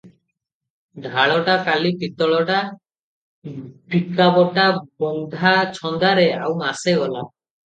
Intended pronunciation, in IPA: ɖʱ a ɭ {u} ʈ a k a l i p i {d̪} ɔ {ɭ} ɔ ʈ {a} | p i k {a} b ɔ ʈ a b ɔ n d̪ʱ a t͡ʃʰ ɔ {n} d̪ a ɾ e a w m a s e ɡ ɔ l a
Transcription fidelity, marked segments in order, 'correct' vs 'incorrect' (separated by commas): incorrect, incorrect, correct, correct, correct, correct